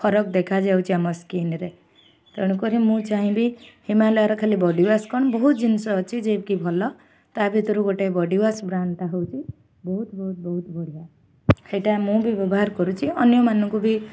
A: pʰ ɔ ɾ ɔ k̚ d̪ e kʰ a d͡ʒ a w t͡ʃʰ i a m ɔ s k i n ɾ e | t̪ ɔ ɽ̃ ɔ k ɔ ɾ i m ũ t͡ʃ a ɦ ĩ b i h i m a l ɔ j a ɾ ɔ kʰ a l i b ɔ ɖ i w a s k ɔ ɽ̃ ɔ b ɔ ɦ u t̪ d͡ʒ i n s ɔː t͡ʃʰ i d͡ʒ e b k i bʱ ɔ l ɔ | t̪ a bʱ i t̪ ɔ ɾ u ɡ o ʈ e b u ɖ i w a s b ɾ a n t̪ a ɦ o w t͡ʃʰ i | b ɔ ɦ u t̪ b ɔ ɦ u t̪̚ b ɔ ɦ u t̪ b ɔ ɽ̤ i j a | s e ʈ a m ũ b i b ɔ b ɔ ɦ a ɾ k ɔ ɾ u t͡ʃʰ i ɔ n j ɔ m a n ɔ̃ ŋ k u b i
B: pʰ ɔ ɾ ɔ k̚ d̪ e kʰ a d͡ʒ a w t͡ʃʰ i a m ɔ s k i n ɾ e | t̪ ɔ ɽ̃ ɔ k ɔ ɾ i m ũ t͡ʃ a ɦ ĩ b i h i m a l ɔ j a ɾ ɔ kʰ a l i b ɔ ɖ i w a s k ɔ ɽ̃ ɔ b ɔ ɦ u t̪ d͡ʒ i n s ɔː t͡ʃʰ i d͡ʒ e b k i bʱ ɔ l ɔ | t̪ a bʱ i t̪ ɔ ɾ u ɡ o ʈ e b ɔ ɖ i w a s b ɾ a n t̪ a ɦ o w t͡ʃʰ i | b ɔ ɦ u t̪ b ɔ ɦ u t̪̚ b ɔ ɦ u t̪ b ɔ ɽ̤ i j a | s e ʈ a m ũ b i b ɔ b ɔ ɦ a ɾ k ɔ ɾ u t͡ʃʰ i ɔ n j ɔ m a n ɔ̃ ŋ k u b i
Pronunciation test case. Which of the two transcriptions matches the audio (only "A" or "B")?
B